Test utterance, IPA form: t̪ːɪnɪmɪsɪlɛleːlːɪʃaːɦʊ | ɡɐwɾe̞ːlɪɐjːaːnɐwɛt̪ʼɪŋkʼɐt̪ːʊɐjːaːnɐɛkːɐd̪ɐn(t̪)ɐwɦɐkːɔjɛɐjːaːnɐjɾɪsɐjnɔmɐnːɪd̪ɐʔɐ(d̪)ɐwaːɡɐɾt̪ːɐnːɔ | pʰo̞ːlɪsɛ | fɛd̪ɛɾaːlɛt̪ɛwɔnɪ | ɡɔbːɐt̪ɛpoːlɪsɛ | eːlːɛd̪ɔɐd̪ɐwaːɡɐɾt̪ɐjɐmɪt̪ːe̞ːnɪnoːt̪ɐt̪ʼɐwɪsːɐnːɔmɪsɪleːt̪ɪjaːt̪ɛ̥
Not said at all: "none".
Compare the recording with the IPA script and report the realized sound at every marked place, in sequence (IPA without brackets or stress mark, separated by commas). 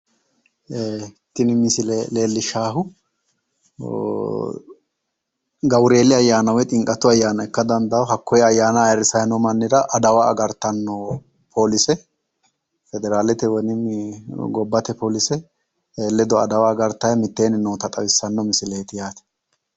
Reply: d̪, d̪